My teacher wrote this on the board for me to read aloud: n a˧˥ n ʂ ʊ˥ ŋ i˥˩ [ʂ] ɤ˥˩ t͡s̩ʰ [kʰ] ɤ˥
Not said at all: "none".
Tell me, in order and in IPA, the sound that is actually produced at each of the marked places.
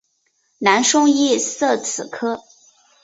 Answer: s, kʰ

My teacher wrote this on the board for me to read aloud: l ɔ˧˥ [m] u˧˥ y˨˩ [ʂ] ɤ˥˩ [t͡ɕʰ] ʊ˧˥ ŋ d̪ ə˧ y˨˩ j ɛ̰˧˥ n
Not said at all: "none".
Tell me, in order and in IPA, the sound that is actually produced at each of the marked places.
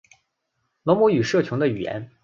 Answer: m, ʂ, t͡ɕʰ

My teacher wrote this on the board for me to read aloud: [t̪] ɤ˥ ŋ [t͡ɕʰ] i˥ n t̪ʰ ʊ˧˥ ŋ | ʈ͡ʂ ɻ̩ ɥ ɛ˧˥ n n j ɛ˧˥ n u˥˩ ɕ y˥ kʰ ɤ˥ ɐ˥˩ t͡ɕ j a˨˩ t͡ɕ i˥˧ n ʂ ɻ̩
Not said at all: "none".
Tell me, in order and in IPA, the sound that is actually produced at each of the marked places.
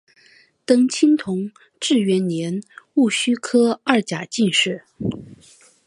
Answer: t̪, t͡ɕʰ

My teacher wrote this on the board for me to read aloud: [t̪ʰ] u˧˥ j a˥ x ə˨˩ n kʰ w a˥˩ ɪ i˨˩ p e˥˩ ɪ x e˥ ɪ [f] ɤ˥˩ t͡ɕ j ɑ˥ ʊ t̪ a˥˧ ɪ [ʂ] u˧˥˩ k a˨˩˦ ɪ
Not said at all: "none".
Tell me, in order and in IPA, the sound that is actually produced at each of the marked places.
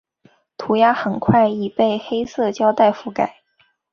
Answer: t̪ʰ, s, f

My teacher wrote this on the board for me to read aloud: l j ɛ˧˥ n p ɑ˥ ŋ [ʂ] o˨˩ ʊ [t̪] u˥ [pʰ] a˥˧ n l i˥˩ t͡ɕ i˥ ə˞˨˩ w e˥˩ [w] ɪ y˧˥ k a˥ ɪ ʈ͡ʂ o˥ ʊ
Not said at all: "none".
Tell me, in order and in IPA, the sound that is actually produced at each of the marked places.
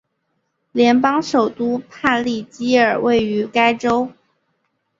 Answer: ʂ, t̪, pʰ, none

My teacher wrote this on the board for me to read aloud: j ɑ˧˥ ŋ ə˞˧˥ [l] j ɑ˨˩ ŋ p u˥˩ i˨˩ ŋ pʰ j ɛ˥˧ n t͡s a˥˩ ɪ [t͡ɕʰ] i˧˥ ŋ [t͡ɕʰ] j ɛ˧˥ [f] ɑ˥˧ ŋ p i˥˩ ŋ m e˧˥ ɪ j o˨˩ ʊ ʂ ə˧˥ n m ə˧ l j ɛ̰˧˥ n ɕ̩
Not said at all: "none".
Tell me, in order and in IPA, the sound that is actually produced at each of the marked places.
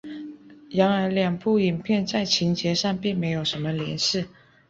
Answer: l, t͡ɕʰ, t͡ɕ, ʂ

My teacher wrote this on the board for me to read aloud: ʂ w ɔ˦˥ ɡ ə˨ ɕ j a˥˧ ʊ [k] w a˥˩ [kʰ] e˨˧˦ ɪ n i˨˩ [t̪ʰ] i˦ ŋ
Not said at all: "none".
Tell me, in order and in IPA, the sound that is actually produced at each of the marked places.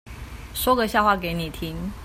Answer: x, k, t̪ʰ

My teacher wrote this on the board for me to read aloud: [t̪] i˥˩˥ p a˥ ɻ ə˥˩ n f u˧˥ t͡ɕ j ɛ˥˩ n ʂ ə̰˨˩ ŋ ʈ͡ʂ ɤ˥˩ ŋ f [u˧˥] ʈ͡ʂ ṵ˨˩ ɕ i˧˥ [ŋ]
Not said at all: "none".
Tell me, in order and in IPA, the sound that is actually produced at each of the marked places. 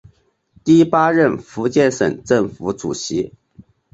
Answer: t̪, u˧˥, none

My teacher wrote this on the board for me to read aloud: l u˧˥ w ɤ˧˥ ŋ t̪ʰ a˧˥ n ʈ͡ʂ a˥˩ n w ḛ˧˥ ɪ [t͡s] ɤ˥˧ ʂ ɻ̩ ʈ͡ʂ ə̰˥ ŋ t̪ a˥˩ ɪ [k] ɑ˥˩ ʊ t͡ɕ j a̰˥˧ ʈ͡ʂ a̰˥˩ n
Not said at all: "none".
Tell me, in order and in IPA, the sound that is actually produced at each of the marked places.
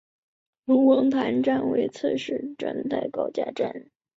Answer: t͡sʰ, k

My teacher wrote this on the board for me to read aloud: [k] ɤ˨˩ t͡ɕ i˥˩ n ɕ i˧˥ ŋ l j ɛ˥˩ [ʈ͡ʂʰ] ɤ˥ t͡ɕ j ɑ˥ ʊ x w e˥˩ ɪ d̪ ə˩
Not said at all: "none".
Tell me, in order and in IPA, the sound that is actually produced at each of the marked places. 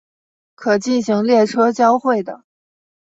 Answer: kʰ, ʈ͡ʂʰ

